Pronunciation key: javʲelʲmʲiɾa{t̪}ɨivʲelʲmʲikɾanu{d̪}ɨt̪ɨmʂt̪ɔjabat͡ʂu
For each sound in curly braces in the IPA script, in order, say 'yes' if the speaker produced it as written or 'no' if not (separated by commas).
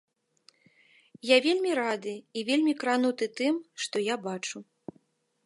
no, no